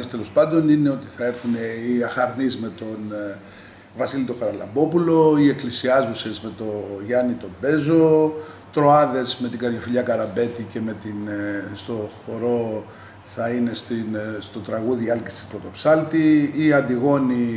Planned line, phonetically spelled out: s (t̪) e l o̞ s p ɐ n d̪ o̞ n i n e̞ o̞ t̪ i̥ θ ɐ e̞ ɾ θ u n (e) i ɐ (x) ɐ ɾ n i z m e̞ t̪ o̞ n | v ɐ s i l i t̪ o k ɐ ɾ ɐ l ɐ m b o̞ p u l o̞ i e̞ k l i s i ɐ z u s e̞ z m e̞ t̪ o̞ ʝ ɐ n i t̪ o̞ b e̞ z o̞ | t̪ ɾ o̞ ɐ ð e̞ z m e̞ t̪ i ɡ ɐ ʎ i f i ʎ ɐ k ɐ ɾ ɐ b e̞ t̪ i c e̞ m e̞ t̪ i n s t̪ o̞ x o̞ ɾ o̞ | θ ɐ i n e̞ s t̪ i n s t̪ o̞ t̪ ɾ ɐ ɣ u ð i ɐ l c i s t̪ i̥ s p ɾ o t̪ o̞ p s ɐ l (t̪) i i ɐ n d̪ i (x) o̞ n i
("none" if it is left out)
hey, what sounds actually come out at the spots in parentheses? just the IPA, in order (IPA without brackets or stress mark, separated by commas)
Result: t̪, e, x, t̪, ɣ